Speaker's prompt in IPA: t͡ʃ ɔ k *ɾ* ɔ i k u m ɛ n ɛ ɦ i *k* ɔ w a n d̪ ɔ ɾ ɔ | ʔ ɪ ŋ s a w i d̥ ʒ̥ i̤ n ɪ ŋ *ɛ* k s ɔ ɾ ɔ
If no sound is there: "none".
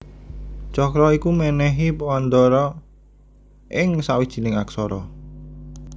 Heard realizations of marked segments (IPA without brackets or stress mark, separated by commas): ɾ, p, a